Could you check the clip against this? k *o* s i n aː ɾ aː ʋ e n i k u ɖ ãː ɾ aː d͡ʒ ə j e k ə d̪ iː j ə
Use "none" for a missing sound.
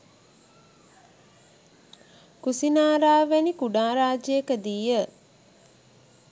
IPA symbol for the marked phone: u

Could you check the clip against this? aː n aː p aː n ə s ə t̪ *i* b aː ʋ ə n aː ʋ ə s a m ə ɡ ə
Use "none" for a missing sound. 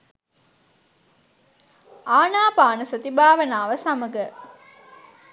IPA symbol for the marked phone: i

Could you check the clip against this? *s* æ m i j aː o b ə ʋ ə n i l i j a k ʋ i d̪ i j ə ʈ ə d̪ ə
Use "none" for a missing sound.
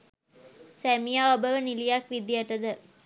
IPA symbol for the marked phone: s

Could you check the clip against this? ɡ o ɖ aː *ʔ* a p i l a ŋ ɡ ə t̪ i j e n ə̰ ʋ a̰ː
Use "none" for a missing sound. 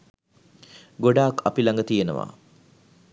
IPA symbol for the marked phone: k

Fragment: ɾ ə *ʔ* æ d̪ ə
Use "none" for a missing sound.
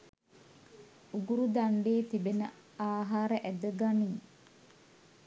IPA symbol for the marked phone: ʔ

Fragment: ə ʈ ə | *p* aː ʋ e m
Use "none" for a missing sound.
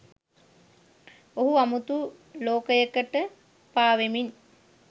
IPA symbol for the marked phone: p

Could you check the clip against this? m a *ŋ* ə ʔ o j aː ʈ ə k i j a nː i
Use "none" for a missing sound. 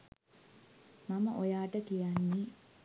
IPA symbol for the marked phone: m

